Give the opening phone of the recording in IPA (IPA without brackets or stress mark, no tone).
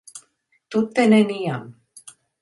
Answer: t̪